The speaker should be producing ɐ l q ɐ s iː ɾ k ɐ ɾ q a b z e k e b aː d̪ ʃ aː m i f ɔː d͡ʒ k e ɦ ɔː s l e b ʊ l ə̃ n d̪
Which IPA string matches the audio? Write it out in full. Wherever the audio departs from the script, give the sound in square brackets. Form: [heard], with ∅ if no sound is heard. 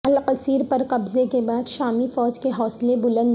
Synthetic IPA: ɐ l q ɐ s iː ɾ [p] ɐ ɾ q [ɐ] b z e k e b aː d̪ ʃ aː m i f ɔː d͡ʒ k e ɦ ɔː s l e b ʊ l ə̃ n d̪